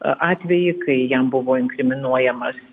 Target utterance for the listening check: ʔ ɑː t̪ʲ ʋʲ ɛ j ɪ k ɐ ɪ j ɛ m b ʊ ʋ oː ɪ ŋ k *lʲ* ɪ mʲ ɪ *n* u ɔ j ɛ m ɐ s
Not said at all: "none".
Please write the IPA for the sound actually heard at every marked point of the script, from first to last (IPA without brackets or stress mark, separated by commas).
ɾʲ, n